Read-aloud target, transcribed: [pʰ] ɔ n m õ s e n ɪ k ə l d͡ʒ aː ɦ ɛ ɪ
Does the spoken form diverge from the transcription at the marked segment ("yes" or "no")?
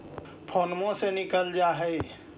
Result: no